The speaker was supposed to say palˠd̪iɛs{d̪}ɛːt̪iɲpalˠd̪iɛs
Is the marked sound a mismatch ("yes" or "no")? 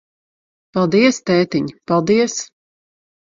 yes